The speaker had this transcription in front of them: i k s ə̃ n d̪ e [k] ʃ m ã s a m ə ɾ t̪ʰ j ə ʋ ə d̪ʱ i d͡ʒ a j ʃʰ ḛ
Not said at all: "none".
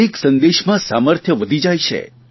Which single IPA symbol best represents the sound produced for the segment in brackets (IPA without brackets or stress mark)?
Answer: none